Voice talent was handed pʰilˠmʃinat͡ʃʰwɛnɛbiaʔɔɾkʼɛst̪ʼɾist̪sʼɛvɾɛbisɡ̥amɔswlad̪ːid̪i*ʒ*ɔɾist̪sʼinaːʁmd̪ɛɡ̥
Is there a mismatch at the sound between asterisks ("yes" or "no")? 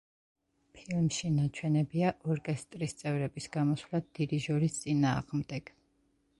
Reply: no